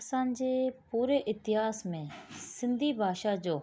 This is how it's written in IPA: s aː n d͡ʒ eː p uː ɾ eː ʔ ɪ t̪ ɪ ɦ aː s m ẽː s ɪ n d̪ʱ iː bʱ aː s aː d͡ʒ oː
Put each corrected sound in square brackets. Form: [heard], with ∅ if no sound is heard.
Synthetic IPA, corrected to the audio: s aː n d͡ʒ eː p uː ɾ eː ʔ ɪ t̪ ɪ ɦ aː s m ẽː s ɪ n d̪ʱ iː bʱ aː [ʃ] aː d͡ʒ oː